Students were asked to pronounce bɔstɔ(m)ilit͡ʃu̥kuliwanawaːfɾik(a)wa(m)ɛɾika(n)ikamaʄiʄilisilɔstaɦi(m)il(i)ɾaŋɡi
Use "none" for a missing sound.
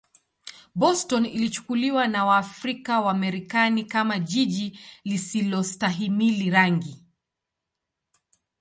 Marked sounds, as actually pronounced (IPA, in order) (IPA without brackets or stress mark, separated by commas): n, a, m, n, m, i